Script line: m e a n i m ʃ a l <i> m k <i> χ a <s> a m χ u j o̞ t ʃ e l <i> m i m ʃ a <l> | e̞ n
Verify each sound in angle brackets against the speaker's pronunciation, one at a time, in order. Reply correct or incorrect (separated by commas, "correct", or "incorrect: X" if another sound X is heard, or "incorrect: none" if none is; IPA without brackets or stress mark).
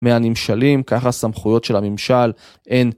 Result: correct, incorrect: a, correct, incorrect: a, correct